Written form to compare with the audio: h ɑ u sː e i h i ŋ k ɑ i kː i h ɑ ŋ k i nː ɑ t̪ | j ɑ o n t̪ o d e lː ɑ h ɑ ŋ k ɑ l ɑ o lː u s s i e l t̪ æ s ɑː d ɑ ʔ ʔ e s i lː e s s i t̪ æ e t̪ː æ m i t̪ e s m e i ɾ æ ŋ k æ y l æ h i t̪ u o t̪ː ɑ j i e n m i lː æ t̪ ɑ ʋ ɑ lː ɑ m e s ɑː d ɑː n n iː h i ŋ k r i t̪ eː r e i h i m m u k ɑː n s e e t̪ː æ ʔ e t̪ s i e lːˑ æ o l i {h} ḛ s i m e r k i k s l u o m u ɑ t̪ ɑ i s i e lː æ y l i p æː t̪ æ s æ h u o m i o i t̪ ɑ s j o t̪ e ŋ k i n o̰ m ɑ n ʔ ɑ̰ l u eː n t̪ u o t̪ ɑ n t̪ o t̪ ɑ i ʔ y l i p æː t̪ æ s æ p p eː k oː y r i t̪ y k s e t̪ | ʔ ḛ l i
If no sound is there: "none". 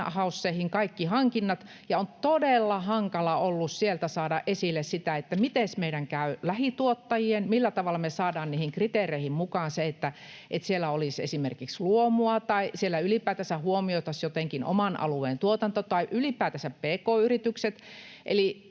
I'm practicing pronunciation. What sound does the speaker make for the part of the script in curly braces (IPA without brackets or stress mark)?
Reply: s